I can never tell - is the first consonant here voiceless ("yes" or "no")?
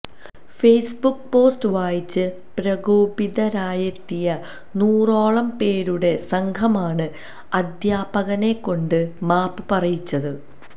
yes